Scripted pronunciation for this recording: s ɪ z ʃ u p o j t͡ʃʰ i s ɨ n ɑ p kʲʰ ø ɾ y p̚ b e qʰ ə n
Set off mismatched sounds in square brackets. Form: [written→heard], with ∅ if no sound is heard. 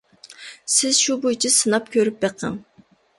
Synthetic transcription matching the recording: s ɪ z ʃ u [p→b] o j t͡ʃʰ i s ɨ n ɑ p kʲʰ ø ɾ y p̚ b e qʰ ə [n→ŋ]